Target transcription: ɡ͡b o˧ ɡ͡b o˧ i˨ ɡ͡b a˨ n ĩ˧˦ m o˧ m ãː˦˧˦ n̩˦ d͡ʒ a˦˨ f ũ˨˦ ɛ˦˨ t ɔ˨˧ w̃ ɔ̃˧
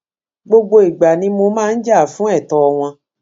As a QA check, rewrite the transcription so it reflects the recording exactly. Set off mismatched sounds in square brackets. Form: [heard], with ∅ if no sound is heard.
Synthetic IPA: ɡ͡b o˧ ɡ͡b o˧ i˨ ɡ͡b a˨ n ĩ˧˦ m o˧ m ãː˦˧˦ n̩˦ d͡ʒ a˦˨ f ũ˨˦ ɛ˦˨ t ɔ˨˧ w̃ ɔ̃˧